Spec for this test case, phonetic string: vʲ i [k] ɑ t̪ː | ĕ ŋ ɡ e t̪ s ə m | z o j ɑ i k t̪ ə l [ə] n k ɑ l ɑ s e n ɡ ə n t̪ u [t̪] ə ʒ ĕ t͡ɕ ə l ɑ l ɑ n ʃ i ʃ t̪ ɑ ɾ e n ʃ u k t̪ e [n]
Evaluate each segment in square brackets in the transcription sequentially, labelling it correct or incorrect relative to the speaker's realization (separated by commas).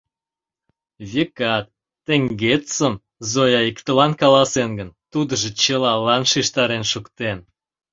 correct, incorrect, incorrect, correct